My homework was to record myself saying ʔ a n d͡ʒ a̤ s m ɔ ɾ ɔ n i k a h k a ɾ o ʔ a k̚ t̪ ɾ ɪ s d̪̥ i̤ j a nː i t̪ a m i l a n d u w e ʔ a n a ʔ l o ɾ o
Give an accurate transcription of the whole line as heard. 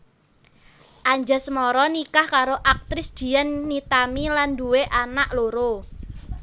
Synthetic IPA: ʔ a ɲ d͡ʒ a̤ s m ɔ ɾ ɔ n i k a h k a ɾ o ʔ a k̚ t̪ ɾ ɪ s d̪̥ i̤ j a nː i t̪ a m i l a n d u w e ʔ a n a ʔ l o ɾ o